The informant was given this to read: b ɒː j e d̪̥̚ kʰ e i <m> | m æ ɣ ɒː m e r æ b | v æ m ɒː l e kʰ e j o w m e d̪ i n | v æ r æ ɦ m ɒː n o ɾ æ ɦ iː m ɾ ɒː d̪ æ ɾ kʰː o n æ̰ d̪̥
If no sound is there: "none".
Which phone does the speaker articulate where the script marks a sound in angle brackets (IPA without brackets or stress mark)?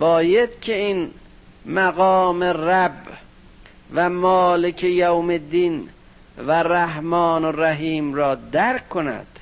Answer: n